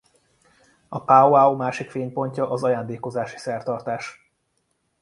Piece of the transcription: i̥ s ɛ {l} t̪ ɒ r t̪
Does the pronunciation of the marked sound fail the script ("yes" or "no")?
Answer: yes